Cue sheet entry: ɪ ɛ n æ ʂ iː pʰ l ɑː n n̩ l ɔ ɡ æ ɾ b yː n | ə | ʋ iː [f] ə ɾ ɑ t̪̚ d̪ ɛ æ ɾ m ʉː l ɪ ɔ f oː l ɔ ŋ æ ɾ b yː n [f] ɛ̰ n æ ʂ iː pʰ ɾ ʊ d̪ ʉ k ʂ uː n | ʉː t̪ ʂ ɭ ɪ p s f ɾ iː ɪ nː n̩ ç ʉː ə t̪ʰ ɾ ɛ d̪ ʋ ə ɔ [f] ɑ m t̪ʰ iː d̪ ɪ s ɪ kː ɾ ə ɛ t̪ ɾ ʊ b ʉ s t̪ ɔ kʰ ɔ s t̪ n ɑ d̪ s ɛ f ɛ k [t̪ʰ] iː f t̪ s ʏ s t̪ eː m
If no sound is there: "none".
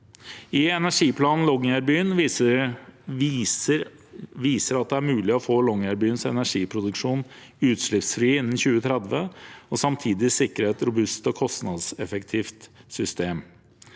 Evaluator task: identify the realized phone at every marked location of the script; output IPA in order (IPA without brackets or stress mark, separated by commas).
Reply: s, s, s, t̪ʰ